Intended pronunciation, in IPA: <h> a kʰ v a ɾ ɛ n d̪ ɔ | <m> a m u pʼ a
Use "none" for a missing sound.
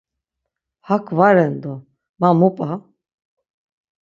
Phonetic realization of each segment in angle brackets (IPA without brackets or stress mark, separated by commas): h, m